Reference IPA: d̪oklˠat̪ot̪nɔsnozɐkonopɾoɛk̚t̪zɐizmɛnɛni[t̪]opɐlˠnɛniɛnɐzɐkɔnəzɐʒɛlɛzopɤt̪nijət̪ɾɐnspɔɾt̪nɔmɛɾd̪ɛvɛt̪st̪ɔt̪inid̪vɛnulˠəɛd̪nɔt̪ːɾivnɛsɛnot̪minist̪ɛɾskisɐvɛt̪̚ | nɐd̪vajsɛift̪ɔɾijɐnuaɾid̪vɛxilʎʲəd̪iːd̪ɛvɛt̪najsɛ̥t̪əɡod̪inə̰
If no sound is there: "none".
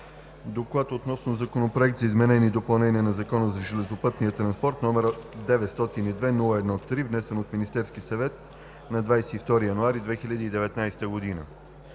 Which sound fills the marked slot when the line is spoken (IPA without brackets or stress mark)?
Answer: d̪